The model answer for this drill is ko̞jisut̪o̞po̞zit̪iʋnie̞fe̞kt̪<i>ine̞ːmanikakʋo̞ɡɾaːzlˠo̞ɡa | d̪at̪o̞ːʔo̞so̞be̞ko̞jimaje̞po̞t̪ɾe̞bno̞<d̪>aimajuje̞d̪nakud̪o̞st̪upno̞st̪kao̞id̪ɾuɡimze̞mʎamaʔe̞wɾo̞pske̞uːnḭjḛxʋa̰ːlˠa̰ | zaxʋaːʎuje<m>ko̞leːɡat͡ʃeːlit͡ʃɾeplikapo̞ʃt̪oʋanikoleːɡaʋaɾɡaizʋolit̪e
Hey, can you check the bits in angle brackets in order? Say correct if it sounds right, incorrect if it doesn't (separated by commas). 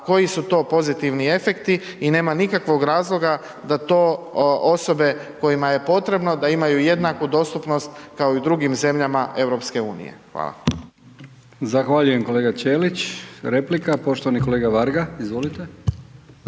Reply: correct, correct, correct